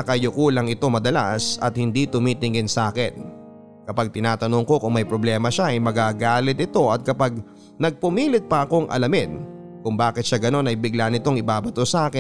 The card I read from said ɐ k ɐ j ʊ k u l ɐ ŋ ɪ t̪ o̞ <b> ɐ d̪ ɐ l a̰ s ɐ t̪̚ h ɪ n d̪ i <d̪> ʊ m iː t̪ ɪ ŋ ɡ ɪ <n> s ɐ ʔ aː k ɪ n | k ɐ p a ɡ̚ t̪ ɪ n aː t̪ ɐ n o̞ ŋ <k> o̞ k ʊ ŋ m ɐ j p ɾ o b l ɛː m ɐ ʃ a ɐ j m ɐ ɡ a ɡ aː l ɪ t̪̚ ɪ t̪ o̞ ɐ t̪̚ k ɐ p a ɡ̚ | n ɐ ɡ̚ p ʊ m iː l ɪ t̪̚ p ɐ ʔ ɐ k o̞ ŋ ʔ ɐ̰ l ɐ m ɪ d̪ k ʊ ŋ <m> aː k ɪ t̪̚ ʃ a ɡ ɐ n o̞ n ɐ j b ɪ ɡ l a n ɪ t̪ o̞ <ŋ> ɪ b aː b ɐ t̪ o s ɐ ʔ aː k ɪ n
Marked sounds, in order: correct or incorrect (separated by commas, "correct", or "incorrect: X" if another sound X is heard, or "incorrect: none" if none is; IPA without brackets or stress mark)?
incorrect: m, incorrect: t̪, correct, correct, incorrect: b, correct